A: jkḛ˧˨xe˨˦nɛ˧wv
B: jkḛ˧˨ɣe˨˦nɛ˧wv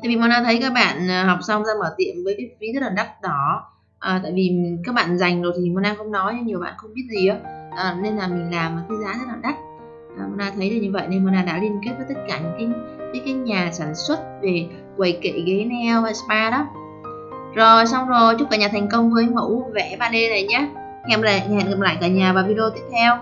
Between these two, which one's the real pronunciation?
B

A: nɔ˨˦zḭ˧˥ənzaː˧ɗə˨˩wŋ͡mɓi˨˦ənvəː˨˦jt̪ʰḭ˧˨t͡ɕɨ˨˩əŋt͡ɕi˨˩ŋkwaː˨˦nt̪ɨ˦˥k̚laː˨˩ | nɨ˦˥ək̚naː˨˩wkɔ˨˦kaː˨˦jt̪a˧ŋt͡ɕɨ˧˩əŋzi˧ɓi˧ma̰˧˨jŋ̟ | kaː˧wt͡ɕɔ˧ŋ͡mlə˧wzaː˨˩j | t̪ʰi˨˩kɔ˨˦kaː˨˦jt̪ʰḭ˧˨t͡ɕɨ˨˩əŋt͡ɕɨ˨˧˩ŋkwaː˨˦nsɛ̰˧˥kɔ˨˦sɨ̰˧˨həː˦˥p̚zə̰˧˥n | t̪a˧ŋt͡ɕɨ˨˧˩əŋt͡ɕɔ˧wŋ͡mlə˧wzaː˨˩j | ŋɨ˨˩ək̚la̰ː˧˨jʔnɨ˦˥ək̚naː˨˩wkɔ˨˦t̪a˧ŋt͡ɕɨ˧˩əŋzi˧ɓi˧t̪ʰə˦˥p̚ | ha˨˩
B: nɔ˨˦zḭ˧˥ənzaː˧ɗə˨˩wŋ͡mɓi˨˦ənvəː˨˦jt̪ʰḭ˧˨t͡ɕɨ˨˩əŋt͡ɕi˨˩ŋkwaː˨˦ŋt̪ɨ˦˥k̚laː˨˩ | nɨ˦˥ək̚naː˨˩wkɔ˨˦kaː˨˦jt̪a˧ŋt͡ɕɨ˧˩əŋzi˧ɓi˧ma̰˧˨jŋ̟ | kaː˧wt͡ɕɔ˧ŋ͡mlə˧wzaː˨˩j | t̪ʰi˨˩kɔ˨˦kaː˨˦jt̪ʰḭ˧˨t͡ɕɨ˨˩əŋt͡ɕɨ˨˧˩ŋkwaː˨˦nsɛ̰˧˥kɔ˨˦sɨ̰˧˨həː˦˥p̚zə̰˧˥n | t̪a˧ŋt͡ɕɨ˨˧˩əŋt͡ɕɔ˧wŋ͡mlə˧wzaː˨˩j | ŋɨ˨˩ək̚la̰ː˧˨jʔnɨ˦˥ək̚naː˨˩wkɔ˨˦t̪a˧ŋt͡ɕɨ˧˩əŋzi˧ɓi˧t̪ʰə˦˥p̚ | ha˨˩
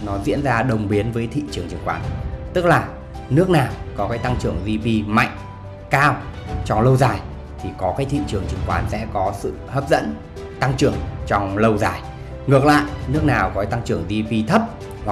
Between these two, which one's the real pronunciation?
A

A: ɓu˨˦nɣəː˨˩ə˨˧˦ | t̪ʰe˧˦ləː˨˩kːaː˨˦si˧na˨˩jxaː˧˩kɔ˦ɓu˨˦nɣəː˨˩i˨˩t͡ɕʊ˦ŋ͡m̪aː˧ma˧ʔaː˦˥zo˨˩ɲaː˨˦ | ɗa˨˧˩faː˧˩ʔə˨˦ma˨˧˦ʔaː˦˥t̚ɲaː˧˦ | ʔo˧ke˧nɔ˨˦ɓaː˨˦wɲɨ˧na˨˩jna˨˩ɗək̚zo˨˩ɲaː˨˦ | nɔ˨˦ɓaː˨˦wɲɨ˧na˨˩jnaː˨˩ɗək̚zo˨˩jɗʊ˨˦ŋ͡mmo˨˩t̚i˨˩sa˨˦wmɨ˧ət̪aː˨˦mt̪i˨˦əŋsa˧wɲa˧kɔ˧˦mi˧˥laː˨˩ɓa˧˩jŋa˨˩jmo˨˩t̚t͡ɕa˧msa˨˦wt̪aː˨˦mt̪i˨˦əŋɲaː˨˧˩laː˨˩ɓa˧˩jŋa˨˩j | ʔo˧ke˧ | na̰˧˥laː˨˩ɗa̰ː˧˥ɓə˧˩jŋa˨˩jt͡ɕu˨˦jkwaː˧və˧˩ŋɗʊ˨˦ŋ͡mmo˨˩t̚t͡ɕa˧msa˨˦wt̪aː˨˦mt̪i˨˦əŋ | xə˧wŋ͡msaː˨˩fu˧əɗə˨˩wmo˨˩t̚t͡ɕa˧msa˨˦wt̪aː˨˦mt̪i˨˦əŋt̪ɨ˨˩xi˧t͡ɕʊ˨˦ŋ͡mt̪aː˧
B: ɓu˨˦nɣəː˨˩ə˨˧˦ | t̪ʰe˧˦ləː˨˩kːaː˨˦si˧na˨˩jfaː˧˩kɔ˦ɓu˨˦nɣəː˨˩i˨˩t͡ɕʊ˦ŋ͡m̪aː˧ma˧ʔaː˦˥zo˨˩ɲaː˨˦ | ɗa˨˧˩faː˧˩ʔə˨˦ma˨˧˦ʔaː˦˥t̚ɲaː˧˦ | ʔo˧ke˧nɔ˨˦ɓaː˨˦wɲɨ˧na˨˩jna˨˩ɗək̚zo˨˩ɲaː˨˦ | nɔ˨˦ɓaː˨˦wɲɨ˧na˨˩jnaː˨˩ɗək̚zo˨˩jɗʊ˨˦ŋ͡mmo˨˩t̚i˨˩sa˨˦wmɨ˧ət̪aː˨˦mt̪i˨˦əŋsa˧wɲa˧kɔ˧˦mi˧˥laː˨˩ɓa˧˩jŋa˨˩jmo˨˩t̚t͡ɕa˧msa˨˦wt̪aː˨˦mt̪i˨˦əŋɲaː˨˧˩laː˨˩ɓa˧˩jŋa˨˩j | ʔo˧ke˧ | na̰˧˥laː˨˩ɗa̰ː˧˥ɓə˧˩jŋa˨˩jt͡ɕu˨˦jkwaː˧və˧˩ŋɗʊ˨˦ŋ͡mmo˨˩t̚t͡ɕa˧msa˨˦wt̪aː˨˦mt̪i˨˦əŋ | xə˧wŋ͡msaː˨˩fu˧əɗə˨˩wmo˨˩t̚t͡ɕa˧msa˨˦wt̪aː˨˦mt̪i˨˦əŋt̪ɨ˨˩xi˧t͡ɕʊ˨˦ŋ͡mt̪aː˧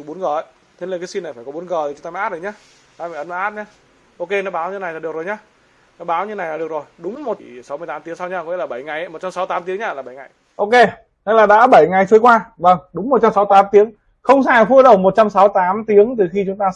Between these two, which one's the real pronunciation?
B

